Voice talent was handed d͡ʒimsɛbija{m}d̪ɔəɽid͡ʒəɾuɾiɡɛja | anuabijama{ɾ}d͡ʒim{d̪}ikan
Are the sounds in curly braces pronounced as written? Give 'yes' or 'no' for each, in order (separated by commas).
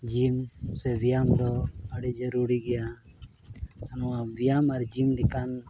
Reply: yes, yes, yes